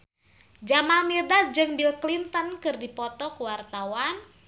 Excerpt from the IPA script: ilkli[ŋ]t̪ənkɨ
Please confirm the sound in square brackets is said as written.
no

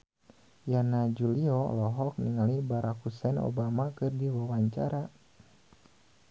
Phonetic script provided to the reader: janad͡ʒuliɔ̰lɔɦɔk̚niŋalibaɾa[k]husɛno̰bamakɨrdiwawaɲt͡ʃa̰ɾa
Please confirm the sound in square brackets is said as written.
yes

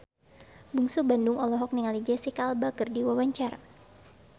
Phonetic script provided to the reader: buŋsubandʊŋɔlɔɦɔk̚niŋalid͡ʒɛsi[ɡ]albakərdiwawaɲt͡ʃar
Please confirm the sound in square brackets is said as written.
no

